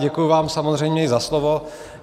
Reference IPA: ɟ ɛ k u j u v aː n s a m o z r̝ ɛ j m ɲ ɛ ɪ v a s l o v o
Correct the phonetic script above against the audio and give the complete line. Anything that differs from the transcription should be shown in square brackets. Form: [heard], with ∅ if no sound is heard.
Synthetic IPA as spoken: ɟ ɛ k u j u v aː [m] s a m o z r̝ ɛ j m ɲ ɛ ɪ [z] a s l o v o